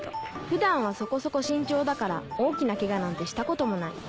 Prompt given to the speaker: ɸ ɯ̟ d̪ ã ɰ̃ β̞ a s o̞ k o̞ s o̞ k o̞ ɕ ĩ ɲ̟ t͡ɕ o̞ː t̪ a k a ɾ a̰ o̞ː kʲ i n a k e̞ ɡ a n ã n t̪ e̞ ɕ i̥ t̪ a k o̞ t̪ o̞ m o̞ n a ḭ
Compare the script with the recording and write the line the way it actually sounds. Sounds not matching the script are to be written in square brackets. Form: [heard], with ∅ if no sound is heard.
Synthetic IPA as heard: ɸ ɯ̟ d̪ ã ɰ̃ β̞ a s o̞ k o̞ s o̞ k o̞ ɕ ĩ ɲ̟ t͡ɕ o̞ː [d̪] a k a ɾ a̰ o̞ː kʲ i n a k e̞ ɡ a n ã n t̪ e̞ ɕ i̥ t̪ a k o̞ t̪ o̞ m o̞ n a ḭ